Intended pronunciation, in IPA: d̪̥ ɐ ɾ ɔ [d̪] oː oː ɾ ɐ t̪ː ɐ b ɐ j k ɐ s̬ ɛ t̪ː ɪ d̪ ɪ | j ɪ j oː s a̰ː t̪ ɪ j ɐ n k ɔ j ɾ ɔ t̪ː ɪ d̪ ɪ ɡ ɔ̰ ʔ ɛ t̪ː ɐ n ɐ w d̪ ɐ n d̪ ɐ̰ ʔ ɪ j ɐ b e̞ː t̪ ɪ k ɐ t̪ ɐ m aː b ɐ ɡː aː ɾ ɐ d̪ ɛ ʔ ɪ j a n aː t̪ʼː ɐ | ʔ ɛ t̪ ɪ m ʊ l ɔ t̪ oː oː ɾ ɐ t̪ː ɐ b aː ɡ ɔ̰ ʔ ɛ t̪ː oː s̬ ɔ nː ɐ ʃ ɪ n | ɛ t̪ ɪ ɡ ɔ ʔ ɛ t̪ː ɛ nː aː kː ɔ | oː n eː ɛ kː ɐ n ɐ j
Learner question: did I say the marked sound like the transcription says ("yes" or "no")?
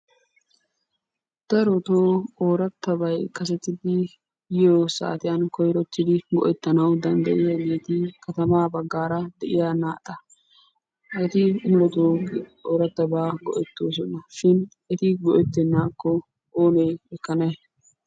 no